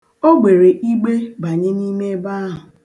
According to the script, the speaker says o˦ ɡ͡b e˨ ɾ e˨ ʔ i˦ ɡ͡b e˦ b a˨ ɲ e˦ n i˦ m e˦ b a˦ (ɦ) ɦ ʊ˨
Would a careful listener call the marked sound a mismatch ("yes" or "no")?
no